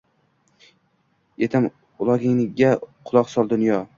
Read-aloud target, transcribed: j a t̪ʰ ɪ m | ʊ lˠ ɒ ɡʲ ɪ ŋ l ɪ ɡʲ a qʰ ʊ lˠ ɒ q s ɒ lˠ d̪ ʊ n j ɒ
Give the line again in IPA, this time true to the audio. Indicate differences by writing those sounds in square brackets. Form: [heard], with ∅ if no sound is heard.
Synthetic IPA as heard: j [e] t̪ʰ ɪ m | ʊ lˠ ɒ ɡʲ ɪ ŋ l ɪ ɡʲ a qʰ ʊ lˠ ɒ q s ɒ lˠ d̪ ʊ n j ɒ